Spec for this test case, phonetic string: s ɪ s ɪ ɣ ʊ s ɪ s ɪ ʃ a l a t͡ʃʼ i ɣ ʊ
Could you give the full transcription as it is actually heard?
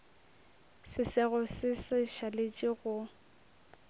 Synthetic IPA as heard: s ɪ s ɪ ɣ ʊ s ɪ s ɪ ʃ a l e t͡ʃʼ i ɣ ʊ